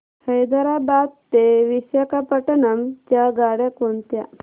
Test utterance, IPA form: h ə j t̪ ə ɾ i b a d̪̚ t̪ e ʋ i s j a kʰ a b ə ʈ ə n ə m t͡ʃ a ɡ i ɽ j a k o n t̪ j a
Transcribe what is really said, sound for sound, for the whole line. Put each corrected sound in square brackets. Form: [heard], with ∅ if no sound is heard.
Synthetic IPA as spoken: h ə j [d̪] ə ɾ [a] b a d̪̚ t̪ e ʋ i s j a [k] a [p] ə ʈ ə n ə m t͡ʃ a ɡ [a] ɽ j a k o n t̪ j a